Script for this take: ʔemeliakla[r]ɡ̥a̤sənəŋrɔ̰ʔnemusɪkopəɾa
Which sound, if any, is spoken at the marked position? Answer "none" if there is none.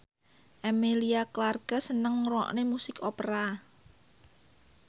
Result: r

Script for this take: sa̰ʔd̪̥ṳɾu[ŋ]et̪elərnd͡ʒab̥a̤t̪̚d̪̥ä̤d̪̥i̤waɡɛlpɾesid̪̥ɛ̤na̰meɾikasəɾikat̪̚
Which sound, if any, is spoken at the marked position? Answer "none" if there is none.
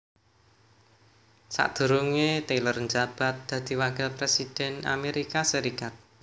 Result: ŋ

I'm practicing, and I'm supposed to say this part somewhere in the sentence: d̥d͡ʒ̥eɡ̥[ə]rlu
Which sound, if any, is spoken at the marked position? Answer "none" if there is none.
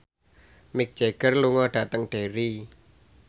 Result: ə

